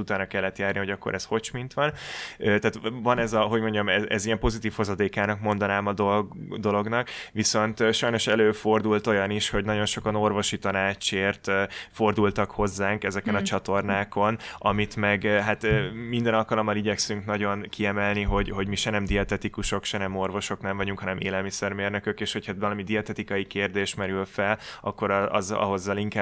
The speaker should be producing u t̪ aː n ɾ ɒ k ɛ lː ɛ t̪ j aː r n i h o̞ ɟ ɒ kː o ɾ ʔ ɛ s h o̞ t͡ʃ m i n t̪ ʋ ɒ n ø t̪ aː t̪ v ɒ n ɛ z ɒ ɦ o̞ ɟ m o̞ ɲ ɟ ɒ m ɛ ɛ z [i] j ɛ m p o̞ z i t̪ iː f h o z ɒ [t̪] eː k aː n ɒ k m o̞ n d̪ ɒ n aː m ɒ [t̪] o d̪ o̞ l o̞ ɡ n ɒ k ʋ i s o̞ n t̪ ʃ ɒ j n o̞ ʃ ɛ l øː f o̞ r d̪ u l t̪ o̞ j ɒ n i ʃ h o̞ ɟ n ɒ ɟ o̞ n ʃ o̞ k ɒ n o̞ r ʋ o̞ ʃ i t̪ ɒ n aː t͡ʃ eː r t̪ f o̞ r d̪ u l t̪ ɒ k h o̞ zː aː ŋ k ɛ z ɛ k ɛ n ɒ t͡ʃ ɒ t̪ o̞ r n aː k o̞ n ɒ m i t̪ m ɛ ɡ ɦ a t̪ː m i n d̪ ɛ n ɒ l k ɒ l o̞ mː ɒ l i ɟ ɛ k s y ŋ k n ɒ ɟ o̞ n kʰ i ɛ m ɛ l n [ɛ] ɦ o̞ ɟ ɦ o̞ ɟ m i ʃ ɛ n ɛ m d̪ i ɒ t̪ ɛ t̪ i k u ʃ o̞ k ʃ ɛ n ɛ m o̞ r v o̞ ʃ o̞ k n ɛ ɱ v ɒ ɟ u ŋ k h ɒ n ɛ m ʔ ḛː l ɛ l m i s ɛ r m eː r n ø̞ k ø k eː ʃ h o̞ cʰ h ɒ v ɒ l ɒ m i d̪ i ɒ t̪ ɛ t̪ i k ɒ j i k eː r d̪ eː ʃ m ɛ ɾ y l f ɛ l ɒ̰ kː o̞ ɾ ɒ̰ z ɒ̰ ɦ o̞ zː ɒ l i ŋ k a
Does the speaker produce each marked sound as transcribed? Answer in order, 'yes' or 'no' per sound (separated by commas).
yes, no, no, no